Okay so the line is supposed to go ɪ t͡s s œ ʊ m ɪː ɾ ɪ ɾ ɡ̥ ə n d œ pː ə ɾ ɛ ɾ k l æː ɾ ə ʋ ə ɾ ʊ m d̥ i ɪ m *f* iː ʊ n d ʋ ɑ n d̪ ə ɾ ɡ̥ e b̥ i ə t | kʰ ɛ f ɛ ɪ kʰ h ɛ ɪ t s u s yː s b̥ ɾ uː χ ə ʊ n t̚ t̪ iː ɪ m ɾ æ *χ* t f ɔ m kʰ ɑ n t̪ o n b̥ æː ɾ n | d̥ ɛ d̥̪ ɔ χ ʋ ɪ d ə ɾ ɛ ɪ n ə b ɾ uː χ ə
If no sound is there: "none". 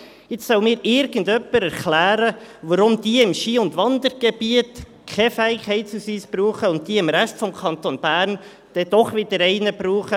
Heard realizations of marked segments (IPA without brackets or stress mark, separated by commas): ʃ, ʃ